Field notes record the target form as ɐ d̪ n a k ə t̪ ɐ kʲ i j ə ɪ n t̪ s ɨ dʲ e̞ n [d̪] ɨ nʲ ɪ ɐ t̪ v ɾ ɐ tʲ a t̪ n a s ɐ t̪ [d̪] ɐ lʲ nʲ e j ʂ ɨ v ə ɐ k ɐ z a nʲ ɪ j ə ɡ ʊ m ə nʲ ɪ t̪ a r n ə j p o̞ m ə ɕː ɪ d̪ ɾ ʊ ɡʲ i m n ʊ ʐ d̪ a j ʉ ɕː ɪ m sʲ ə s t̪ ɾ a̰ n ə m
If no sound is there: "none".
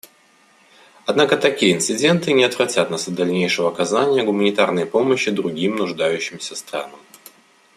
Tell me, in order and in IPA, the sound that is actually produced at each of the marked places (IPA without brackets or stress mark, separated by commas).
t̪, d̪